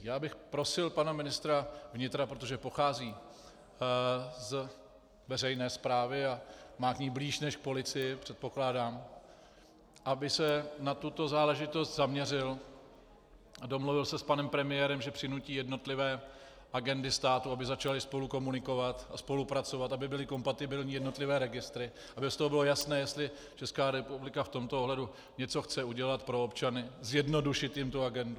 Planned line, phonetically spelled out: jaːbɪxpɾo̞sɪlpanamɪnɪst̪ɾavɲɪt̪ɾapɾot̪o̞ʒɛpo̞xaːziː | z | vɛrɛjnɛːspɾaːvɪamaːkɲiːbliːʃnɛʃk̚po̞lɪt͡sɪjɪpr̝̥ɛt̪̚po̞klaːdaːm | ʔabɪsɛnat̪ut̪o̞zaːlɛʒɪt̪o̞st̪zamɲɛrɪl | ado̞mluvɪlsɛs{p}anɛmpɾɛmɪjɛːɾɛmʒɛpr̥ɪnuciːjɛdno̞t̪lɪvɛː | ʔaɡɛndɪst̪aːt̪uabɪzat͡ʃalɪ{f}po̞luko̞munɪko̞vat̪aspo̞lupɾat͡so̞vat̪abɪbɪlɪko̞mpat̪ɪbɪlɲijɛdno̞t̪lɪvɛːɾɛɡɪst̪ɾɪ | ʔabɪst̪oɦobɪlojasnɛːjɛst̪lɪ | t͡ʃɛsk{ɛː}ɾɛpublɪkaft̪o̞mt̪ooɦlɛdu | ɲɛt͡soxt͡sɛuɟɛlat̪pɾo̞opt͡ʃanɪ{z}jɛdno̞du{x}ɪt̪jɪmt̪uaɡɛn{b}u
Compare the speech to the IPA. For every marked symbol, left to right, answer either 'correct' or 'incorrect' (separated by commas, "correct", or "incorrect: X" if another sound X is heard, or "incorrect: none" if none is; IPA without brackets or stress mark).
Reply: correct, incorrect: s, incorrect: aː, correct, incorrect: ʃ, incorrect: d